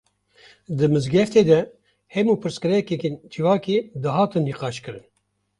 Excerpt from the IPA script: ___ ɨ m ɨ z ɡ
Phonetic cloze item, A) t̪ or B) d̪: B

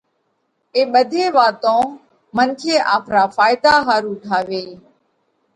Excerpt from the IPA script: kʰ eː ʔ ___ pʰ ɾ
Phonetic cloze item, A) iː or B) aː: B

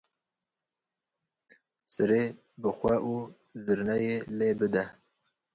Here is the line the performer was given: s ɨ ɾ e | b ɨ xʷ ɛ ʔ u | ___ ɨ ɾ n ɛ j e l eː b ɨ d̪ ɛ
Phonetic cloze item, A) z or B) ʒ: A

